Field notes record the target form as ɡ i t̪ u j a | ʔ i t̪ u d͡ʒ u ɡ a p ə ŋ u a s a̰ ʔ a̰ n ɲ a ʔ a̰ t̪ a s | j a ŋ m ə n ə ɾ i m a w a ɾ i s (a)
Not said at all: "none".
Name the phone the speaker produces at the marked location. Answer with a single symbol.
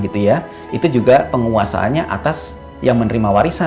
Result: a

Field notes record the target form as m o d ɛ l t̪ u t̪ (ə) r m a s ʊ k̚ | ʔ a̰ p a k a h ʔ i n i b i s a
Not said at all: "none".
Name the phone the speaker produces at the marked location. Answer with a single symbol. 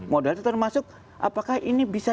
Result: ə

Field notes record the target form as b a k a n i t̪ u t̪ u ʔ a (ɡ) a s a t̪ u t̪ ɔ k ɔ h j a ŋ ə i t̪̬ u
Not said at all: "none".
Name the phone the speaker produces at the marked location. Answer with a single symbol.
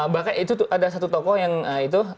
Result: d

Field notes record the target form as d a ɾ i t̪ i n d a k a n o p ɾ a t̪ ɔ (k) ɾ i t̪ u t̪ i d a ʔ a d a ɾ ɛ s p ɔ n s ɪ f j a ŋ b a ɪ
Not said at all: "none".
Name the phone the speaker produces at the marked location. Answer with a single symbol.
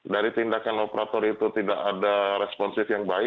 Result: none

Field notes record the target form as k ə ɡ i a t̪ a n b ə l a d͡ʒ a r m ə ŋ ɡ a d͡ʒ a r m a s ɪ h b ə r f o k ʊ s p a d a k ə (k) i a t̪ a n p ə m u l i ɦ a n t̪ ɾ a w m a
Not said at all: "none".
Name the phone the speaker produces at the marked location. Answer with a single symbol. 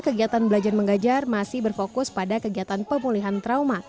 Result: ɡ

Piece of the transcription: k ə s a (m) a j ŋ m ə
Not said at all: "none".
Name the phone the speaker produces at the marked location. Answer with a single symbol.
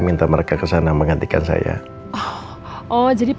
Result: n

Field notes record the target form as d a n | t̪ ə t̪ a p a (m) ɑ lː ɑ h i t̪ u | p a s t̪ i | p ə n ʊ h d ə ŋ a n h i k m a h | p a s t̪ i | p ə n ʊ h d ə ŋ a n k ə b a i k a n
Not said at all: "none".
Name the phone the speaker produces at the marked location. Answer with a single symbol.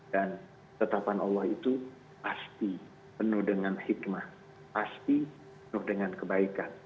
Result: n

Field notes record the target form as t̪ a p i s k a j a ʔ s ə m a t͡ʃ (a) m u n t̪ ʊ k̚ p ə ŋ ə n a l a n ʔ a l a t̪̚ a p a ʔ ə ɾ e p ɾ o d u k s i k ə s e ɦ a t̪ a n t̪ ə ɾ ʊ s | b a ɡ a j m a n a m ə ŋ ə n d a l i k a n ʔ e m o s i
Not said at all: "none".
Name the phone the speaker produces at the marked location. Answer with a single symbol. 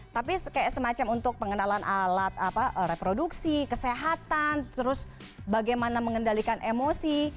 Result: a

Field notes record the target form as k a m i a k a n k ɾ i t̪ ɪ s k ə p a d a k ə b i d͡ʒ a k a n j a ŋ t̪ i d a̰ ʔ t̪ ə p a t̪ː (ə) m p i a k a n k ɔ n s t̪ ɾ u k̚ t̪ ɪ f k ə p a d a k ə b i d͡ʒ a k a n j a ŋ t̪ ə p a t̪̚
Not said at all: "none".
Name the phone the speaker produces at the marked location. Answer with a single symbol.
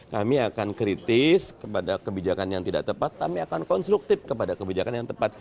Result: a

